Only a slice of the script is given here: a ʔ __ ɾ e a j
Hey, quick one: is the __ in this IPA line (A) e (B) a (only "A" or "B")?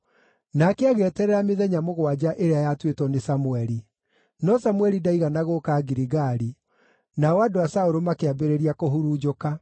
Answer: A